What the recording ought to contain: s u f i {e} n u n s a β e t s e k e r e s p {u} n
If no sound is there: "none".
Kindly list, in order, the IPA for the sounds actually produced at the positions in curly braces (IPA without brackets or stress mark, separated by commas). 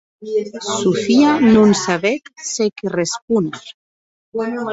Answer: a, u